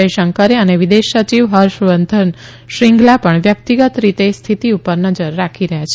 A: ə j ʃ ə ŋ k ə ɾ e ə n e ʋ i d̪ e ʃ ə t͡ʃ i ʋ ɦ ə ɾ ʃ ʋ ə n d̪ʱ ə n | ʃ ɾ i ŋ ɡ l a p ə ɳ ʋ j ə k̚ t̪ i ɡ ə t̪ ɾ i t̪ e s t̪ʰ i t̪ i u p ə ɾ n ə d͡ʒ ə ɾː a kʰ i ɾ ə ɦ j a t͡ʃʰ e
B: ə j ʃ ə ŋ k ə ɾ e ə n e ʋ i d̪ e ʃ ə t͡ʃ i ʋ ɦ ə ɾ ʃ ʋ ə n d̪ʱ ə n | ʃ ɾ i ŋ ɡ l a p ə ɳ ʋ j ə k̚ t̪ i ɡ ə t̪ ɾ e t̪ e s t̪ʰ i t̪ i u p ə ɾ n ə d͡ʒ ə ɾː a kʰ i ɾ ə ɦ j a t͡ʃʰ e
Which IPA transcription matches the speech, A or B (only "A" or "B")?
A